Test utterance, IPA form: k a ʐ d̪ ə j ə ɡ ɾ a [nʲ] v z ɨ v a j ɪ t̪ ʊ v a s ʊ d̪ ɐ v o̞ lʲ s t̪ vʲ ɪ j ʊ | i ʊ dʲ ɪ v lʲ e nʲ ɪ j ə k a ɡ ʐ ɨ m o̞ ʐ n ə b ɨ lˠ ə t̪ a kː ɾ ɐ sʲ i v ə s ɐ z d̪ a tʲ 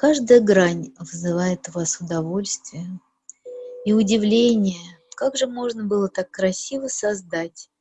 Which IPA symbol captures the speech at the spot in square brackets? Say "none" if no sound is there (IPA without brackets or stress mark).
nʲ